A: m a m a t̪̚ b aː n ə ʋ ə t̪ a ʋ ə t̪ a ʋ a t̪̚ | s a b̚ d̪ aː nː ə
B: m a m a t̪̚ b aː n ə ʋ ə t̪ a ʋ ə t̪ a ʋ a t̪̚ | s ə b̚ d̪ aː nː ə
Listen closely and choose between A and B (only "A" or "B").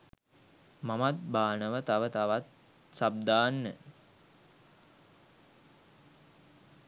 A